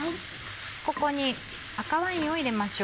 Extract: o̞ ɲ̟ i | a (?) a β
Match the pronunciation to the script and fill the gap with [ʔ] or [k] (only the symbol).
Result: k